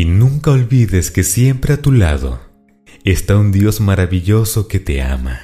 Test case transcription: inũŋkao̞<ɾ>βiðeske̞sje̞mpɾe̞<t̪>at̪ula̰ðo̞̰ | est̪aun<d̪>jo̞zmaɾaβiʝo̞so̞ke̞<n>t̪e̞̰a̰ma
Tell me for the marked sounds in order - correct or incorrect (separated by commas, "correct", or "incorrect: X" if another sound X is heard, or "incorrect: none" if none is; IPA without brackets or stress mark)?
incorrect: l, incorrect: none, correct, incorrect: none